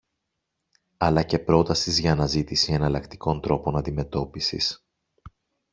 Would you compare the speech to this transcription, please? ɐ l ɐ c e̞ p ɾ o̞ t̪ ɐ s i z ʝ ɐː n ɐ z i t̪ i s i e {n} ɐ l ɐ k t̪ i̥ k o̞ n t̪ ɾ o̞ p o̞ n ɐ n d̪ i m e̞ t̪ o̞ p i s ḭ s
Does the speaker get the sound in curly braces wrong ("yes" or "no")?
no